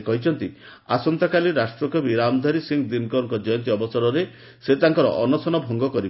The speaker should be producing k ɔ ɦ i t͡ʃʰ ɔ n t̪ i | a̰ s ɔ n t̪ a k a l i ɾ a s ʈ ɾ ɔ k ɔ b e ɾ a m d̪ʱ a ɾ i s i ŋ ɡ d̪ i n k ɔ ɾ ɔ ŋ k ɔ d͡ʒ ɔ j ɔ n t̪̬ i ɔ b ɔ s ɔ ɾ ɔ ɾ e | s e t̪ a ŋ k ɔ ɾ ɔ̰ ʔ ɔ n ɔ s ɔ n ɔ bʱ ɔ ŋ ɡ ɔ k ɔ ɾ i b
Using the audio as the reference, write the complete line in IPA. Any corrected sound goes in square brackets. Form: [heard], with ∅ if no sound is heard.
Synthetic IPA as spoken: k ɔ ɦ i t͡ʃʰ ɔ n t̪ i | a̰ s ɔ n t̪ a k a l i ɾ a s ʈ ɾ ɔ k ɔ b [i] ɾ a m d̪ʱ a ɾ i s i ŋ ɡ d̪ i n k ɔ ɾ ɔ ŋ k ɔ d͡ʒ ɔ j ɔ n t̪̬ i ɔ b ɔ s ɔ ɾ ɔ ɾ e | s e t̪ a ŋ k ɔ ɾ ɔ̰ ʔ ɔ n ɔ s ɔ n ɔ bʱ ɔ ŋ ɡ ɔ k ɔ ɾ i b